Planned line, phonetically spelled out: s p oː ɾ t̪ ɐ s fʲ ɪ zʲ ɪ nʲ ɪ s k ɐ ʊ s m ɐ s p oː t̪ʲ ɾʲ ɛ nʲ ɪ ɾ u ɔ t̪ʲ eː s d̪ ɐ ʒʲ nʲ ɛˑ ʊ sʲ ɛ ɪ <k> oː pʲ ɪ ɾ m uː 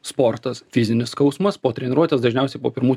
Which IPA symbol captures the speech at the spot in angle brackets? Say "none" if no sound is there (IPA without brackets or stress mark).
p